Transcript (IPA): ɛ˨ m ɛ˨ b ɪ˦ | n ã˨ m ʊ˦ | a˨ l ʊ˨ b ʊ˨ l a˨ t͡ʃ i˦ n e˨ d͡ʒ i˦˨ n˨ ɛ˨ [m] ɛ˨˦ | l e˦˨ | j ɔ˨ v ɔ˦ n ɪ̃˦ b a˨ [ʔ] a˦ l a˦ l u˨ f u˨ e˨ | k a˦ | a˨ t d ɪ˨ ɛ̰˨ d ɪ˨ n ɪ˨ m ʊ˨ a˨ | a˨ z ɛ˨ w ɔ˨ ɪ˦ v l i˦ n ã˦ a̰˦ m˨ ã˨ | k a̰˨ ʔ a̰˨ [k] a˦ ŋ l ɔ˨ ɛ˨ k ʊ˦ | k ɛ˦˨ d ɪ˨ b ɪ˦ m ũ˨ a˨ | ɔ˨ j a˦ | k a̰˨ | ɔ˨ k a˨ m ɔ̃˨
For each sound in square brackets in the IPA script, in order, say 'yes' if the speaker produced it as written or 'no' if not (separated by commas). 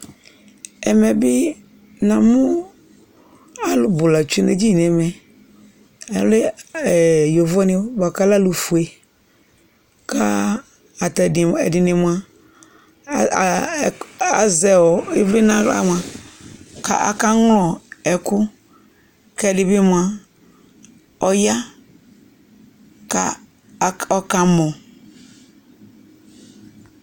yes, no, yes